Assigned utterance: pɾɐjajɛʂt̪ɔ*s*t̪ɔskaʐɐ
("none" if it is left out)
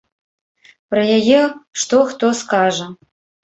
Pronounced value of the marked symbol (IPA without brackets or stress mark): x